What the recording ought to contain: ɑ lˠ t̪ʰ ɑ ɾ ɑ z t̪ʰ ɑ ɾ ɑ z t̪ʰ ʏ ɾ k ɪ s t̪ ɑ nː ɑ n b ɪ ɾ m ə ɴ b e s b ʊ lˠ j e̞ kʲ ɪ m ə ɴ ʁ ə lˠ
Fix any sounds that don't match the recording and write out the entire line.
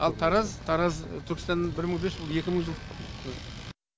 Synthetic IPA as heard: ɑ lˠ t̪ʰ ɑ ɾ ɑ z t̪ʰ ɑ ɾ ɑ z t̪ʰ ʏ ɾ k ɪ s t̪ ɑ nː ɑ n b ɪ ɾ m ə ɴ b e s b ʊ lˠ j e̞ kʲ ɪ m ə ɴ ʒ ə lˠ